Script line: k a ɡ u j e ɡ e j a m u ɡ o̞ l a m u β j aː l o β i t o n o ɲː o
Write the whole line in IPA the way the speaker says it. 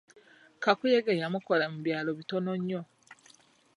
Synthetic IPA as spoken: k a k u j e ɡ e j a m u k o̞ l a m u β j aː l o β i t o n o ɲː o

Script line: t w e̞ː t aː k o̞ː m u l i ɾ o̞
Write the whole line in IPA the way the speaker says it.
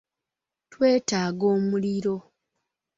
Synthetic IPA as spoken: t w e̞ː t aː ɡ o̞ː m u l i ɾ o̞

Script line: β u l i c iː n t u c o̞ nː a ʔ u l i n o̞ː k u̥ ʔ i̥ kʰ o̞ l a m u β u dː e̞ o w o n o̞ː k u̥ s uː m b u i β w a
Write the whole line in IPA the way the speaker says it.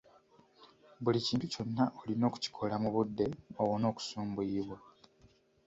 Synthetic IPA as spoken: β u l i c iː n t u c o̞ nː a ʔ o l i n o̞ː k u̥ c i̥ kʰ o̞ l a m u β u dː e̞ o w o n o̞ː k u̥ s uː m b u i β w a

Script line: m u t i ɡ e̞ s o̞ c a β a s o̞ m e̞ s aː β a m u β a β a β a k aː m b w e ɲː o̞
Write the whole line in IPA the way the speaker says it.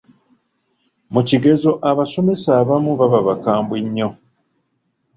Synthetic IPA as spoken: m u c i ɡ e̞ z o̞ ʔ a β a s o̞ m e̞ s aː β a m u β a β a β a k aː m b w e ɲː o̞

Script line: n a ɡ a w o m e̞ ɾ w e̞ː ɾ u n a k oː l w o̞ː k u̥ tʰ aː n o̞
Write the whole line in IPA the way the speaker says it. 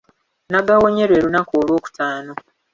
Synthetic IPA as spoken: n a ɡ a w o ɲ e̞ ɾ w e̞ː ɾ u n a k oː l w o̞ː k u̥ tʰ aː n o̞

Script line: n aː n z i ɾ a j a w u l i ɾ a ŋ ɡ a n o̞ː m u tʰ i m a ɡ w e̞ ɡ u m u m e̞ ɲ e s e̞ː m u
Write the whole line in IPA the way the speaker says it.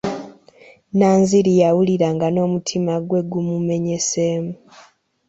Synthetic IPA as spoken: n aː n z i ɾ i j a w u l i ɾ a ŋ ɡ a n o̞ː m u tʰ i m a ɡ w e̞ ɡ u m u m e̞ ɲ e s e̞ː m u

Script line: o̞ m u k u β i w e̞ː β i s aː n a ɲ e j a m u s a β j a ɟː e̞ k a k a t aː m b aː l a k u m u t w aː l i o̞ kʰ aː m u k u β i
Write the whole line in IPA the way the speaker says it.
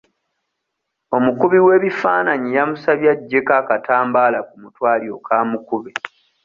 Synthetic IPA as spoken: o̞ m u k u β i w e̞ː β i f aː n a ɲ i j a m u s a β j a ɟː e̞ k a k a t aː m b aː l a k u m u t w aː l i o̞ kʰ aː m u k u β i

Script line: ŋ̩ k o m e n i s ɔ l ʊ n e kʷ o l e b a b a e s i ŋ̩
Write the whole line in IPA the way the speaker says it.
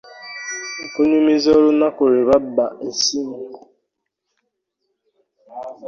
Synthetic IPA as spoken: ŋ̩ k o ɲ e m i z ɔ ɾ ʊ n a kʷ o ɾ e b a b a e s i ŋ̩

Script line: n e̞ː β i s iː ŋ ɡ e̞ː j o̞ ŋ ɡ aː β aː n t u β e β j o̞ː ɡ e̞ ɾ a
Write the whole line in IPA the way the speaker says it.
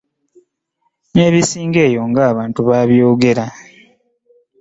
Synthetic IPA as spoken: n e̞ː β i s iː ŋ ɡ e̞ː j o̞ ŋ ɡ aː β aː n t u β a β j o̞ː ɡ e̞ ɾ a

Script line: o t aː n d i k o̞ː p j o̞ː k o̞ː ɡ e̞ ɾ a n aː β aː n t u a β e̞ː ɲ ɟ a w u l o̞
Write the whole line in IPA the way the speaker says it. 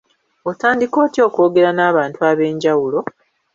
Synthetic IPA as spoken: o t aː n d i k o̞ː t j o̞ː k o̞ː ɡ e̞ ɾ a n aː β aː n t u a β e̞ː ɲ ɟ a w u l o̞

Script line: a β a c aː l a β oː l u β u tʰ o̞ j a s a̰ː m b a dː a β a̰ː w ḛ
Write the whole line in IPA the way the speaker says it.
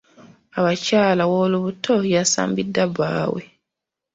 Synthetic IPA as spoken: a β a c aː l a w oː l u β u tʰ o̞ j a s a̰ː m b i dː a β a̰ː w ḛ

